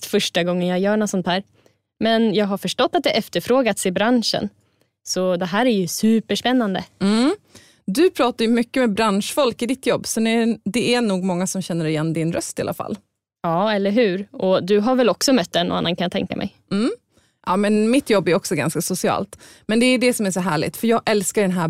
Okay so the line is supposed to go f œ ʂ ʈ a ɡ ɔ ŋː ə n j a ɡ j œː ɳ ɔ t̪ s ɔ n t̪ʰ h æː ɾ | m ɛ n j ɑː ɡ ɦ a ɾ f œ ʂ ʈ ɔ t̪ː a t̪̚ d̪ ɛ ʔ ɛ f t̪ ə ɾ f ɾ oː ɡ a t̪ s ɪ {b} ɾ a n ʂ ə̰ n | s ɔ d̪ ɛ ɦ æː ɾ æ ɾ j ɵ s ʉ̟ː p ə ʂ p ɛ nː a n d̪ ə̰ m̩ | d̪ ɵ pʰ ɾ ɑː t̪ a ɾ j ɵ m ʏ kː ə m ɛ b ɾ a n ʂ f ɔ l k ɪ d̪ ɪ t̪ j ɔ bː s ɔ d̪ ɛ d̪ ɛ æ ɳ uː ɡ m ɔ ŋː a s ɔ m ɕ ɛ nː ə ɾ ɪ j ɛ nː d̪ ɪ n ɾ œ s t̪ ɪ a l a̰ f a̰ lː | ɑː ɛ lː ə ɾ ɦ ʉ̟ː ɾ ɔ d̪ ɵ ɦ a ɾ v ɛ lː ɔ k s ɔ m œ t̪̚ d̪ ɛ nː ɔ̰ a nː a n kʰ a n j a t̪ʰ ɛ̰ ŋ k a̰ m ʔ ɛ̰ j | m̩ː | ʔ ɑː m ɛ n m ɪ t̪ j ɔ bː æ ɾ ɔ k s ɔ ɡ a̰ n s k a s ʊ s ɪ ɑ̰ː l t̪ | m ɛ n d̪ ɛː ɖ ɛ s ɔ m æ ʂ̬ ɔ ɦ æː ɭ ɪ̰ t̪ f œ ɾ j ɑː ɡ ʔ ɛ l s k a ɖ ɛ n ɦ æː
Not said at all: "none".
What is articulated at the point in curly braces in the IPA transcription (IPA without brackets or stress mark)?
b